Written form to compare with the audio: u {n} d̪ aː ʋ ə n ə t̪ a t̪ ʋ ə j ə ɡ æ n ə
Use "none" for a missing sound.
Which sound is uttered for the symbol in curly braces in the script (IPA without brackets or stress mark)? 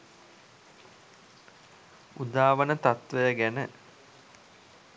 none